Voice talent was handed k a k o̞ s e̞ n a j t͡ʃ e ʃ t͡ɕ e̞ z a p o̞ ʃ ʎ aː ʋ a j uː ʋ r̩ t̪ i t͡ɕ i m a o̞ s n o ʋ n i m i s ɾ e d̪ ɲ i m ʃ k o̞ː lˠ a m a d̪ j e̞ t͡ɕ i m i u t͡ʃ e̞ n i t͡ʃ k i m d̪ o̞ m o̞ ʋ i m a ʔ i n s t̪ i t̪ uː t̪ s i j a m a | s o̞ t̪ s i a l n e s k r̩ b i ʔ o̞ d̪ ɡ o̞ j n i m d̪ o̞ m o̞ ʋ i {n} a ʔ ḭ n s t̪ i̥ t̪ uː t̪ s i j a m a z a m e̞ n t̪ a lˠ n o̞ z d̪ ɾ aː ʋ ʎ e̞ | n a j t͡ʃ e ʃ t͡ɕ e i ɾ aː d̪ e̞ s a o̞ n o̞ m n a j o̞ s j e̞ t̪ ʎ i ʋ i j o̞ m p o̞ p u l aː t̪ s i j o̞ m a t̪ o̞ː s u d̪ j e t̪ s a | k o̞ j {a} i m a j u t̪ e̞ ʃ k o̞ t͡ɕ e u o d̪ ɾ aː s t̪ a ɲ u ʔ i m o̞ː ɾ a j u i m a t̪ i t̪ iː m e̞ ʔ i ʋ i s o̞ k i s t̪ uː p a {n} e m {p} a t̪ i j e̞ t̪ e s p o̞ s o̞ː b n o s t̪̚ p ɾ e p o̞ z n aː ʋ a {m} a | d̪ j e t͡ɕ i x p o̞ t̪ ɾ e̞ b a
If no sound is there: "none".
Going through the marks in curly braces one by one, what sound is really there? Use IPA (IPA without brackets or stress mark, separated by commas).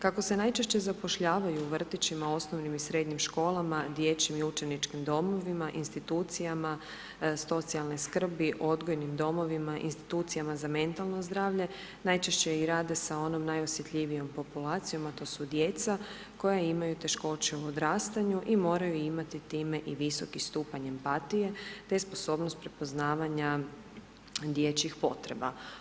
m, a, ɲ, p, ɲ